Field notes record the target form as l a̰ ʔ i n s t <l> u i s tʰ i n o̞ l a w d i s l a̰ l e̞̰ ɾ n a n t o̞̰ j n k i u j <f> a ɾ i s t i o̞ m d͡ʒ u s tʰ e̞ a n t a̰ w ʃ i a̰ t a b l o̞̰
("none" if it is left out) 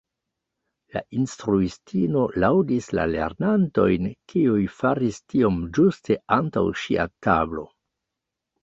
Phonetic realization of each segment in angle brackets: ɾ, f

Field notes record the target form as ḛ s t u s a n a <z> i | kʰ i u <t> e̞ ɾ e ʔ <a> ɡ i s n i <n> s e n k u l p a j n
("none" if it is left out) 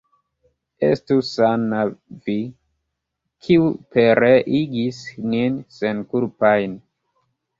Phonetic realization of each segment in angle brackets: v, p, i, n

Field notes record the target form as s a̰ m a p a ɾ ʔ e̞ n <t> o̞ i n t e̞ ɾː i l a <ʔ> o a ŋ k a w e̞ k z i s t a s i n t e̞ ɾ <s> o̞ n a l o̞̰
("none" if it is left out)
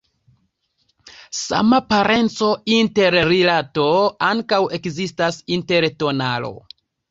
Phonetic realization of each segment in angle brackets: t͡s, t, t

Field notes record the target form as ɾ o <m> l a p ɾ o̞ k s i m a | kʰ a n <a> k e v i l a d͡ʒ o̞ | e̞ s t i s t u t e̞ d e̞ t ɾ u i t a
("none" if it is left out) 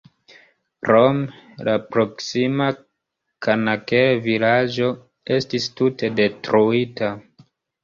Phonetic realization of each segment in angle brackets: m, a

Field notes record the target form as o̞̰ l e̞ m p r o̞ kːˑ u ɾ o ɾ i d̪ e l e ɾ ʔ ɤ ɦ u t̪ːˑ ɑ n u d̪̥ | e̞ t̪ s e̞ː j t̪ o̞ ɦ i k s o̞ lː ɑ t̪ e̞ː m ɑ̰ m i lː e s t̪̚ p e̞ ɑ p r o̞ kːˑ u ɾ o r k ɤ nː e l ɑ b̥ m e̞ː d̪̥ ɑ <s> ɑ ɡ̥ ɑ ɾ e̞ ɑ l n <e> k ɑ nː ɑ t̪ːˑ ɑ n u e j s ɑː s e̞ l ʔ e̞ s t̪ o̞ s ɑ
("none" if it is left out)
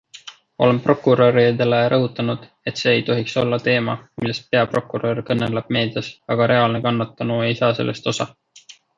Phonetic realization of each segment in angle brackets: s, e

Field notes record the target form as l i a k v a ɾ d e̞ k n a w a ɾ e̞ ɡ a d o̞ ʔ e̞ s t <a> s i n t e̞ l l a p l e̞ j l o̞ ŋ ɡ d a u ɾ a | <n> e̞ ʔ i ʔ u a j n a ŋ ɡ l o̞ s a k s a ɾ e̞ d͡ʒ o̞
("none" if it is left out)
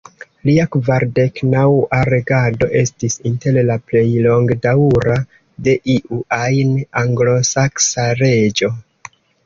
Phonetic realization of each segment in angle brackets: i, d

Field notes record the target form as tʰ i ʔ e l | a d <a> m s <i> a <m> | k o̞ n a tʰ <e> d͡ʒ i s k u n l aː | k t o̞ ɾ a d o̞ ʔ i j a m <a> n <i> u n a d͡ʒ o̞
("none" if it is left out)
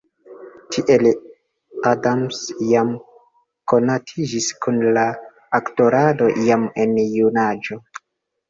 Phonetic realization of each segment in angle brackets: a, j, m, i, e, j

